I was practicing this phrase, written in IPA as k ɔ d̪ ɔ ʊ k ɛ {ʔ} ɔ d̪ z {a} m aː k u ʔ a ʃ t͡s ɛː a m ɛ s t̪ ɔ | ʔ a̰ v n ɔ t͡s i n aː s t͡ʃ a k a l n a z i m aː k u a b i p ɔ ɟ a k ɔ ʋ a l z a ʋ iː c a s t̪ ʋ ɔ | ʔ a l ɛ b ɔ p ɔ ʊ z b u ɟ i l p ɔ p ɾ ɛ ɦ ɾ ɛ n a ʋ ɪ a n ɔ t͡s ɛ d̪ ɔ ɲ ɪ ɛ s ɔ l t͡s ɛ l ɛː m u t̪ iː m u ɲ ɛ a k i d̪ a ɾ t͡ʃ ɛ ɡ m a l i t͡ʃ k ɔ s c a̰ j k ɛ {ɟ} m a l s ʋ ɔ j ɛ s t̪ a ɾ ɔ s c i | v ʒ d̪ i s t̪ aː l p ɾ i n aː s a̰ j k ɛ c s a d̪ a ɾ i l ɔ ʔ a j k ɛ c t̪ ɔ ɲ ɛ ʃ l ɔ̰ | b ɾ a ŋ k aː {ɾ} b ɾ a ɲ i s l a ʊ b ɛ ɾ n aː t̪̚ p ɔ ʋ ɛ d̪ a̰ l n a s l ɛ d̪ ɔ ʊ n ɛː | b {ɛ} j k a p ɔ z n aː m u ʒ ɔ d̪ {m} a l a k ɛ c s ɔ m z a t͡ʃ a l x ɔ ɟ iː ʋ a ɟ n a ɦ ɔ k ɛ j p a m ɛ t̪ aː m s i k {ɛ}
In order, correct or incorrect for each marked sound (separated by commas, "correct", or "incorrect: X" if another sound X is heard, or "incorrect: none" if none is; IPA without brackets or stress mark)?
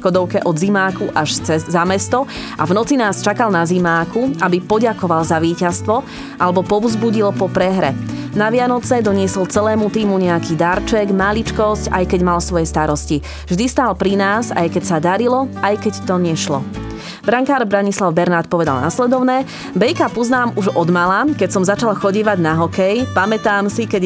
correct, incorrect: i, correct, correct, correct, correct, correct